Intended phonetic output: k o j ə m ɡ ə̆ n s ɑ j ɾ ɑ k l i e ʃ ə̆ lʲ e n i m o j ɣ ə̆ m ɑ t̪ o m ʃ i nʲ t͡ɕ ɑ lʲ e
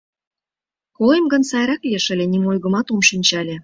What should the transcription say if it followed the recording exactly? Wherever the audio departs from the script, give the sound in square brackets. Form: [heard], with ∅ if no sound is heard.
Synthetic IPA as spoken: k o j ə m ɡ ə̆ n s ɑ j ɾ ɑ k l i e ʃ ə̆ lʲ e n i m o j ɣ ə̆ m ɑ t̪ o m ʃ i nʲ t͡ɕ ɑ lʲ e